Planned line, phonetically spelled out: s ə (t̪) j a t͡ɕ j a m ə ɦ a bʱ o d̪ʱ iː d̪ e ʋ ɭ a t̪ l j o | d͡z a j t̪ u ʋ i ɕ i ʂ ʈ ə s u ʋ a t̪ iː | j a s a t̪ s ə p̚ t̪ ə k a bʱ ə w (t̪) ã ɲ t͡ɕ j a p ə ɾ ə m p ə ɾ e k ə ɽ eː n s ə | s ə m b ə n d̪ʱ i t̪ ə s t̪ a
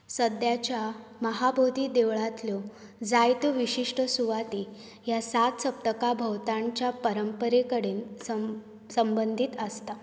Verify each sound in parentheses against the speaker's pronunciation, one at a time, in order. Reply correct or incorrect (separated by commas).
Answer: incorrect, correct